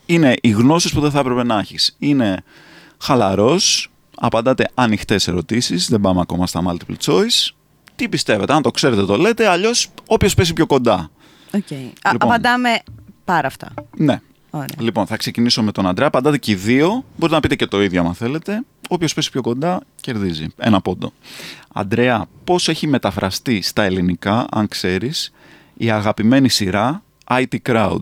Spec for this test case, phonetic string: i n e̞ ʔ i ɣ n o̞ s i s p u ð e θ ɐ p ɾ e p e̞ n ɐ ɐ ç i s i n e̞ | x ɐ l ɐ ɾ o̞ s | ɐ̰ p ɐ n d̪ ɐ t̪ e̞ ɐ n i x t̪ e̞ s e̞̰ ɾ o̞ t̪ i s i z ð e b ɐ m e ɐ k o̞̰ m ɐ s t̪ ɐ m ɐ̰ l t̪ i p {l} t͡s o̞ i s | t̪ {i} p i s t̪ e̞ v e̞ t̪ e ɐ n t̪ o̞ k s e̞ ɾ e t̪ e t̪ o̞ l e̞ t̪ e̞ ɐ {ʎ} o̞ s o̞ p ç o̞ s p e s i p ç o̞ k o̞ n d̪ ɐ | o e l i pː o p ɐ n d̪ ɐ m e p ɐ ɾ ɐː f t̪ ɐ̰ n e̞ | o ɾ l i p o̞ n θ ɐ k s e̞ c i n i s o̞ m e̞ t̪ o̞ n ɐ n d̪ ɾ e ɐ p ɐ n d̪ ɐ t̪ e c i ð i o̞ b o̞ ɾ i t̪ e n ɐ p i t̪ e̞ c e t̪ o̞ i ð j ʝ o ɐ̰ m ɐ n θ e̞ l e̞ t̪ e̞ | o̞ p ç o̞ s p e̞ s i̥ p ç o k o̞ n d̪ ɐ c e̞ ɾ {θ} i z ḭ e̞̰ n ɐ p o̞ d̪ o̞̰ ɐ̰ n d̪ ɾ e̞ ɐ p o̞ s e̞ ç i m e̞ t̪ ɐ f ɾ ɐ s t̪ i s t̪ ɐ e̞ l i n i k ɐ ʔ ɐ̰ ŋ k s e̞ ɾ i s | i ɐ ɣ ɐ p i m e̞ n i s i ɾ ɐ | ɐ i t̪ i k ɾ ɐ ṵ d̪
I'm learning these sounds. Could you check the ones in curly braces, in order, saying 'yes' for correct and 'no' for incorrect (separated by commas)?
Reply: yes, yes, yes, no